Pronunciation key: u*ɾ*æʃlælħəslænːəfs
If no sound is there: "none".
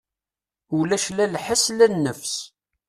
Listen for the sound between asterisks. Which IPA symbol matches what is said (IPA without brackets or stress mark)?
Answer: l